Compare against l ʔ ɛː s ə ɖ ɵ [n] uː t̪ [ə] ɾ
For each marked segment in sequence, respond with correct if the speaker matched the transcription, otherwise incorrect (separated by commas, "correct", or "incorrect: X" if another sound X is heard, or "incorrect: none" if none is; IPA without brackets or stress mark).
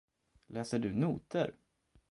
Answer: correct, correct